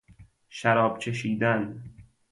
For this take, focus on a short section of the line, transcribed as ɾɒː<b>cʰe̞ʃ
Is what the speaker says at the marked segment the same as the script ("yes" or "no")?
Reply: yes